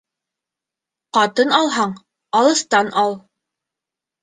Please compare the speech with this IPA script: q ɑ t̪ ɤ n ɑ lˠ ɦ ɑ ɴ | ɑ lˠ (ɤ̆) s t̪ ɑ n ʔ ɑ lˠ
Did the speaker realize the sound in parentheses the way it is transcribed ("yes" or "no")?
yes